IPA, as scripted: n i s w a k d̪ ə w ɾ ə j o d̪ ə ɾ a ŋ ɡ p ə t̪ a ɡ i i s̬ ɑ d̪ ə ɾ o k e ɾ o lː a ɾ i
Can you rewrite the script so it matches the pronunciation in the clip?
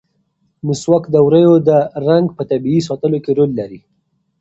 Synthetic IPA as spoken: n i s w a k d̪ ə w ɾ ə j o d̪ ə ɾ a ŋ ɡ p ə t̪ a b i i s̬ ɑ t̪ ə l o k e ɾ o lː a ɾ i